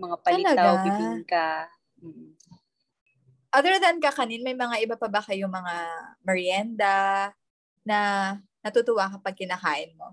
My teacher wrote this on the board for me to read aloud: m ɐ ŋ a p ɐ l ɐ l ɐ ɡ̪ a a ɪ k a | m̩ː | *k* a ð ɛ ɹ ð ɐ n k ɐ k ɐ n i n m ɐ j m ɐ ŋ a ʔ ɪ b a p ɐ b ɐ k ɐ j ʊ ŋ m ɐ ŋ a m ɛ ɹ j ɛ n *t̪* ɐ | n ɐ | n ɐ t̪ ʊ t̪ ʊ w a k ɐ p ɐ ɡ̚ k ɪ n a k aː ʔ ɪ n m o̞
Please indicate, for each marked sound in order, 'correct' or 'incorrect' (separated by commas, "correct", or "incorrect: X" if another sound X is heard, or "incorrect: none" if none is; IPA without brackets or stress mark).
incorrect: ʔ, incorrect: d̪